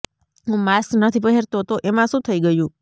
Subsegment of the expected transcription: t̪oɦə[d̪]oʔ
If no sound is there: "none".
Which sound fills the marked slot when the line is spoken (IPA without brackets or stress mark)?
t̪